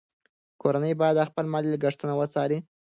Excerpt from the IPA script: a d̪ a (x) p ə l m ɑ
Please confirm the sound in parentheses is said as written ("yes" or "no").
yes